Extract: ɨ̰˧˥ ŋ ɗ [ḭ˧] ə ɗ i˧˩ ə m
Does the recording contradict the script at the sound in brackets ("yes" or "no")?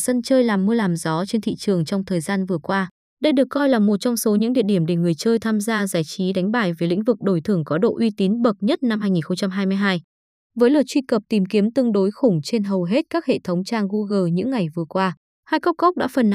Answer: no